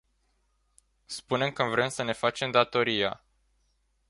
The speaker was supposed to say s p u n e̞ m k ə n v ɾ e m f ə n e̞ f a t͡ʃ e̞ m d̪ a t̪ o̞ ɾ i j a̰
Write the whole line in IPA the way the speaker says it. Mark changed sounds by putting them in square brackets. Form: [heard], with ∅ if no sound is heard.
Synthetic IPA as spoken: s p u n e̞ m k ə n v ɾ e m [s] ə n e̞ f a t͡ʃ e̞ m d̪ a t̪ o̞ ɾ i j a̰

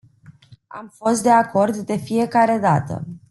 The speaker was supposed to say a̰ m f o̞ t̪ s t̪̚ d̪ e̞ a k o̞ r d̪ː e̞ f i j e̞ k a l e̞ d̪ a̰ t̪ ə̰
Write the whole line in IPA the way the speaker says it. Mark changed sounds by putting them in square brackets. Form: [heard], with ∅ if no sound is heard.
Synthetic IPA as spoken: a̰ m f o̞ [∅] s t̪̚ d̪ e̞ a k o̞ r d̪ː e̞ f i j e̞ k a [ɾ] e̞ d̪ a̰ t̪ ə̰

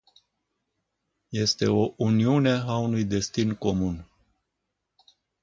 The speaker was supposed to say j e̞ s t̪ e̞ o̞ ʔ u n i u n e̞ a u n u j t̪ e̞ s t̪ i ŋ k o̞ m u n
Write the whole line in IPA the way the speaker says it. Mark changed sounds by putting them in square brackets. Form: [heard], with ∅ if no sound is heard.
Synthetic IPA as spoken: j e̞ s t̪ e̞ o̞ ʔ u n i u n e̞ a u n u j [d̪] e̞ s t̪ i [n] k o̞ m u n

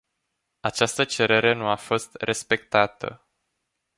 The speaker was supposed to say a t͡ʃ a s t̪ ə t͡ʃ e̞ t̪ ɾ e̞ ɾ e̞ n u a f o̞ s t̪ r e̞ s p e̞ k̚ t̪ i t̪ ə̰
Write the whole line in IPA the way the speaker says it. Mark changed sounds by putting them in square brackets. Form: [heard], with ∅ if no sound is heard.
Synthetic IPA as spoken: a t͡ʃ a s t̪ ə t͡ʃ e̞ [∅] ɾ e̞ ɾ e̞ n u a f o̞ s t̪ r e̞ s p e̞ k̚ t̪ [a] t̪ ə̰

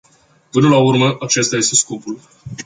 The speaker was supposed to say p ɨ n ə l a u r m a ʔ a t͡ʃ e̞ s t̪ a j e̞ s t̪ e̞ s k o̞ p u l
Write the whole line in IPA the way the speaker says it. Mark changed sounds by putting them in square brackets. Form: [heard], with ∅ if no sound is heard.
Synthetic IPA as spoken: p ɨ n ə l a u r m [ə] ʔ a t͡ʃ e̞ s t̪ a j e̞ s t̪ e̞ s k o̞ p u l

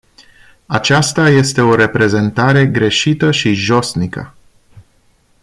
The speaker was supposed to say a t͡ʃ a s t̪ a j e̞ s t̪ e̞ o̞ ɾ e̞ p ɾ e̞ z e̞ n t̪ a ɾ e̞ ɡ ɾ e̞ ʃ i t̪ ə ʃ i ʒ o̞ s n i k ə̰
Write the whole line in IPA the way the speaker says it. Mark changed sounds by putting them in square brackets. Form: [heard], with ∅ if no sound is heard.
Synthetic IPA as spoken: a t͡ʃ a s t̪ a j e̞ s t̪ e̞ o̞ ɾ e̞ p ɾ e̞ z e̞ n t̪ a ɾ e̞ ɡ ɾ e̞ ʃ i t̪ ə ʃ i ʒ o̞ s n i k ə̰

